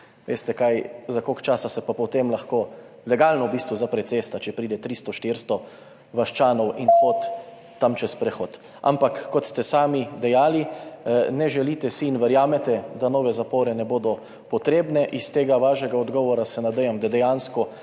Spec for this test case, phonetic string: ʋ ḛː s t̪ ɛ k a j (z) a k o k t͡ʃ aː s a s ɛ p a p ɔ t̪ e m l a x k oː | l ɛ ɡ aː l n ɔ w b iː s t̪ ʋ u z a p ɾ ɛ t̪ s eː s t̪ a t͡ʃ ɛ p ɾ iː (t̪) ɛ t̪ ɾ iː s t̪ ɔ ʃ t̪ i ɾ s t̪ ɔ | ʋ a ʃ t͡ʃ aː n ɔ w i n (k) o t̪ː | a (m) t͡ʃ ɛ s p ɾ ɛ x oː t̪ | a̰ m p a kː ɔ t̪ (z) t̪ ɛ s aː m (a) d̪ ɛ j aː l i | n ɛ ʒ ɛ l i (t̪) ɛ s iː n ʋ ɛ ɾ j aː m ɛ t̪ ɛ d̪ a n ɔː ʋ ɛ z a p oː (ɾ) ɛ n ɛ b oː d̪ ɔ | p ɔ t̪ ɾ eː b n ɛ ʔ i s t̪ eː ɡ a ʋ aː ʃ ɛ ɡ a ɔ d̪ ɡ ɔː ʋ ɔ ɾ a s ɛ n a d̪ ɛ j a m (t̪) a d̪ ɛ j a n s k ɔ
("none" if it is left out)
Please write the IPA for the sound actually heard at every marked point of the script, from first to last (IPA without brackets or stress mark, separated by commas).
z, d̪, x, m, s, i, t̪, ɾ, d̪